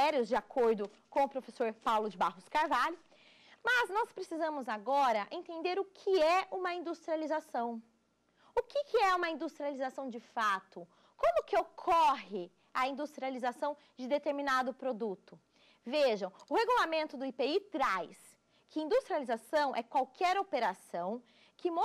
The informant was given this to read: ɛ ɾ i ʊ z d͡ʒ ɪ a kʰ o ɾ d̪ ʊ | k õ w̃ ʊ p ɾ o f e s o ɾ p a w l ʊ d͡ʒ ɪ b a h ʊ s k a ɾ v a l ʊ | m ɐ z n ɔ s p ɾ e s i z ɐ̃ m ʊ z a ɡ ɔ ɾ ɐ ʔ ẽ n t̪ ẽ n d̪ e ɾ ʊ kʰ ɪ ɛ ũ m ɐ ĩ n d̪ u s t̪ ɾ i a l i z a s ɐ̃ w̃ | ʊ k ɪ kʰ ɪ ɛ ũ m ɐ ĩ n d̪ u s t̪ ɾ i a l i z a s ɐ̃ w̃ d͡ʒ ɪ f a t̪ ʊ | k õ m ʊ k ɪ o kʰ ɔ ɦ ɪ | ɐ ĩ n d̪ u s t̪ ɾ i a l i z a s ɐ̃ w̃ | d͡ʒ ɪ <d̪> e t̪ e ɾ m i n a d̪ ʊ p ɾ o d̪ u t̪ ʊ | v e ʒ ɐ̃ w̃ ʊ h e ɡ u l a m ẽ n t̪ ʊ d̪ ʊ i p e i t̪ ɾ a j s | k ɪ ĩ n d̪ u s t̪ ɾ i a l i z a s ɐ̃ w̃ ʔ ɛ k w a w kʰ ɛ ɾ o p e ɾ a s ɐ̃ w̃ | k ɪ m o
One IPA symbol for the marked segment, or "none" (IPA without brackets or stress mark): d̪